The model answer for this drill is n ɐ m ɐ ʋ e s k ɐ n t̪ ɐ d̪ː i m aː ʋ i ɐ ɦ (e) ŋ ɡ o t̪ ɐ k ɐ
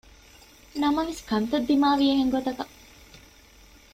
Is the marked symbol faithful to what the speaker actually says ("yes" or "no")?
yes